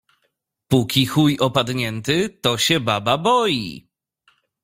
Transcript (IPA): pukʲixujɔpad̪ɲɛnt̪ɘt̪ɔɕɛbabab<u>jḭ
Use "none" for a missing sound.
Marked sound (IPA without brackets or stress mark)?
ɔ